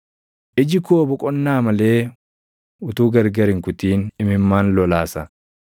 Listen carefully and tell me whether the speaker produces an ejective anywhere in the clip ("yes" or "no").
yes